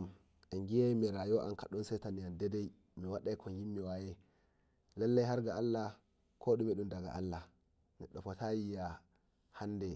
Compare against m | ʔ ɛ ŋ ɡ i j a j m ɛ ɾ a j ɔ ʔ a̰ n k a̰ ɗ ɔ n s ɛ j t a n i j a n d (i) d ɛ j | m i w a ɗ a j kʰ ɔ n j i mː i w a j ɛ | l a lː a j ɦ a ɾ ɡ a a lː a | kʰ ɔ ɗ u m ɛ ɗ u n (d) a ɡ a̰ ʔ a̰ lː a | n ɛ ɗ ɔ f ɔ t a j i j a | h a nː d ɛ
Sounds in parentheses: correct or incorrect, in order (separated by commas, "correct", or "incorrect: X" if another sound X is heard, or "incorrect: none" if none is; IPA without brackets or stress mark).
incorrect: ɛ, correct